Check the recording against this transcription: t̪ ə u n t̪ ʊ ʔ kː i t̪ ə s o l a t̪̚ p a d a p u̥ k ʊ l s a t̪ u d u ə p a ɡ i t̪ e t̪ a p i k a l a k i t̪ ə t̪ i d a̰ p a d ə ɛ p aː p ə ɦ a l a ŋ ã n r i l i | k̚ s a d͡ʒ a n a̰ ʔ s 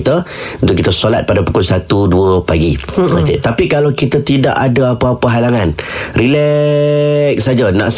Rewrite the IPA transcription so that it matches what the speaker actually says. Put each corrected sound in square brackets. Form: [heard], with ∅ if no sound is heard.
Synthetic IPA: t̪ ə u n t̪ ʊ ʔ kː i t̪ ə s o l a t̪̚ p a d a p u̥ k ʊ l s a t̪ u d u ə p a ɡ i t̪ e t̪ a p i k a l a k i t̪ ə t̪ i d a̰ [ʔ] a d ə [a] p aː p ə ɦ a l a ŋ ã n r i l [ɛ] | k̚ s a d͡ʒ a n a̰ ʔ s